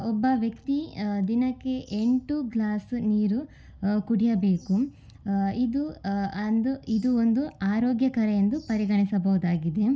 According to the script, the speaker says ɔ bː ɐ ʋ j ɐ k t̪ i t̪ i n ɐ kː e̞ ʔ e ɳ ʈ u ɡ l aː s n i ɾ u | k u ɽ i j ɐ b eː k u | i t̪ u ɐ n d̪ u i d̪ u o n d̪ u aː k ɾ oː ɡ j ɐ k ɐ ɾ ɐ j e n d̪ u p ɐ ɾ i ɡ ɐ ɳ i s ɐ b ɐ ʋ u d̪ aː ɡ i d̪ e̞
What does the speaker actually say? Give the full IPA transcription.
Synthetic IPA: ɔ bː ɐ ʋ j ɐ k t̪ i d̪ i n ɐ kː e̞ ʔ e ɳ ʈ u ɡ l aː s n iː ɾ u | k u ɽ i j ɐ b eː k u | i d̪ u ɐ n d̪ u i d̪ u o n d̪ u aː ɾ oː ɡ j ɐ k ɐ ɾ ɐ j e n d̪ u p ɐ ɾ i ɡ ɐ ɳ i s ɐ b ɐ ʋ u d̪ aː ɡ i d̪ e̞